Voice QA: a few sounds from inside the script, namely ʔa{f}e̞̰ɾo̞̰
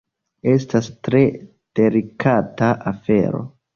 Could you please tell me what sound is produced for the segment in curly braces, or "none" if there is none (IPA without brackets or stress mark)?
f